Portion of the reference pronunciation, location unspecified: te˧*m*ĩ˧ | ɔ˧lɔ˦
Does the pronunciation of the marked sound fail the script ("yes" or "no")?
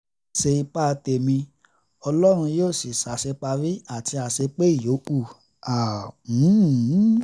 no